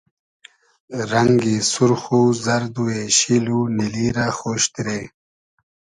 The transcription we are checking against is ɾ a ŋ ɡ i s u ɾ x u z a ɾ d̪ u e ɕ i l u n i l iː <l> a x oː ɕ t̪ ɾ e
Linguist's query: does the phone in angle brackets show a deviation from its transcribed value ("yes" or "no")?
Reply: yes